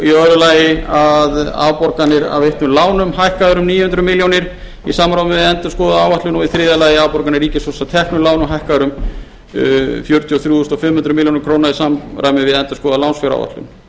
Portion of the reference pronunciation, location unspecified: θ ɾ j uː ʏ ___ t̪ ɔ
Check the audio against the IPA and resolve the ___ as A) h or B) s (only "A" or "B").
B